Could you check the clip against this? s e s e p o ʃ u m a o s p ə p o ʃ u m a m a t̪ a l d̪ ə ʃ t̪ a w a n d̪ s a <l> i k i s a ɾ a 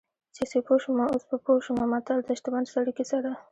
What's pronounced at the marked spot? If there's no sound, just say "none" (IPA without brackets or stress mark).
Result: ɽ